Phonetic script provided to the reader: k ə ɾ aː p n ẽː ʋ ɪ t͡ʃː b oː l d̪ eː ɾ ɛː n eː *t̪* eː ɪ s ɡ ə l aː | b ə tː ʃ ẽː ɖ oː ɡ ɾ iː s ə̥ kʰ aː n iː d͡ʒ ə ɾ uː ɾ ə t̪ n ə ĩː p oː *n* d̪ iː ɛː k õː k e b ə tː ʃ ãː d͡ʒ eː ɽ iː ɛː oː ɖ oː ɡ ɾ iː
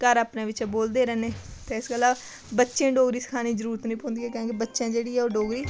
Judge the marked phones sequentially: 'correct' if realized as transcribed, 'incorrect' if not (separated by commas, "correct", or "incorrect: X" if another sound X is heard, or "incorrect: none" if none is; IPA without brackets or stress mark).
correct, correct